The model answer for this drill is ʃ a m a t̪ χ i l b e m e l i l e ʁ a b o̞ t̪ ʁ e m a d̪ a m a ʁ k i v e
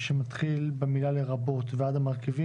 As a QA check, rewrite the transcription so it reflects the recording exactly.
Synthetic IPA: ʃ e m a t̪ χ i l b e m i l a l e ʁ a b o̞ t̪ v e a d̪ a m a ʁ k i v i